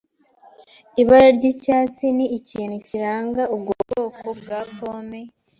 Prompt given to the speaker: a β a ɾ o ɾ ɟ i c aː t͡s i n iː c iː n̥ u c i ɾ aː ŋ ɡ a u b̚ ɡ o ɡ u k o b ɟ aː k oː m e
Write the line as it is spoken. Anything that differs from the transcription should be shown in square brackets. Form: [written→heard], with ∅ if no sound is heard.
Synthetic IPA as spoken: [a→i] β a ɾ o ɾ ɟ i c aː t͡s i n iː c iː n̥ u c i ɾ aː ŋ ɡ a u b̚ ɡ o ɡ [u→o] k o b [ɟ→ɡ] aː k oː m e